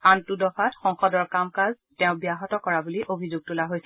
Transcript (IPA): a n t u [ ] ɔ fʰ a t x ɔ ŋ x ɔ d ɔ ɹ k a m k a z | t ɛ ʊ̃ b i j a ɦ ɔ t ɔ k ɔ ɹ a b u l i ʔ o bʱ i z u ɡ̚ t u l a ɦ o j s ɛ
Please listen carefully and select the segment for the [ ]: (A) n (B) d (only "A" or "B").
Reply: B